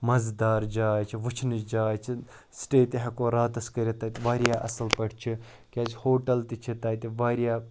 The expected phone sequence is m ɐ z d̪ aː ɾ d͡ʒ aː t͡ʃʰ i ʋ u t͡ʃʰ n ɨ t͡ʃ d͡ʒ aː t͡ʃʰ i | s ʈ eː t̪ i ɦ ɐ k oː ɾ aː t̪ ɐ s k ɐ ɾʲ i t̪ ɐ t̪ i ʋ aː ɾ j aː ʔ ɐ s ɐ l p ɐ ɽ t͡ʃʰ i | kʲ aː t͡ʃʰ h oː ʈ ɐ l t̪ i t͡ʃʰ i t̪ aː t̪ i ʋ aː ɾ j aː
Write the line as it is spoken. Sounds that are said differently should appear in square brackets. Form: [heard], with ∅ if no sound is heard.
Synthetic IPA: m ɐ z d̪ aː ɾ d͡ʒ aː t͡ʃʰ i ʋ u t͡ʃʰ n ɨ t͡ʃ d͡ʒ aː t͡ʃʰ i | s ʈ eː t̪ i ɦ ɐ k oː ɾ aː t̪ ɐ s k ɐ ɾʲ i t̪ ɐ t̪ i ʋ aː ɾ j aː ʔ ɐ s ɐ l p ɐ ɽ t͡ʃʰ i | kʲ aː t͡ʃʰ h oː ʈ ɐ l t̪ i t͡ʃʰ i t̪ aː t̪ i ʋ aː ɾ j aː